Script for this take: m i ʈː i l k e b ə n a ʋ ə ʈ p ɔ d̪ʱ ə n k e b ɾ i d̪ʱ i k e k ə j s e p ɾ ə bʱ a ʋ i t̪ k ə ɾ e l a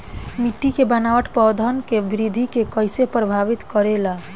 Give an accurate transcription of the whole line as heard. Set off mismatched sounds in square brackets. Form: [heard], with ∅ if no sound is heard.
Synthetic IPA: m i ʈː i [∅] k e b ə n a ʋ ə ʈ p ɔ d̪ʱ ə n k e b ɾ i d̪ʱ i k e k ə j s e p ɾ ə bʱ a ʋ i t̪ k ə ɾ e l a